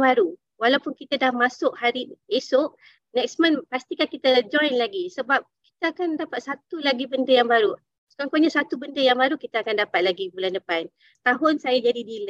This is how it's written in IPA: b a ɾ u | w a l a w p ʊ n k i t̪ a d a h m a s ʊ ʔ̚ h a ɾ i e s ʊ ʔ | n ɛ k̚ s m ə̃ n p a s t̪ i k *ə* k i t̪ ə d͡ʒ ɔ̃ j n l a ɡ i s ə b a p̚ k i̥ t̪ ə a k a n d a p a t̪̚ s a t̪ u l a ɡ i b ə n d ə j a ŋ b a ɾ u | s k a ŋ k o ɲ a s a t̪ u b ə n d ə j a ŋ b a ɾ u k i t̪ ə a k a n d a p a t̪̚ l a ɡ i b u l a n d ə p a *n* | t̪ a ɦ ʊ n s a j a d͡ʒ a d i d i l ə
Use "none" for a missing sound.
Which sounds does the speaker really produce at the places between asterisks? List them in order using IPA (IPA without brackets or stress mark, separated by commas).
a, n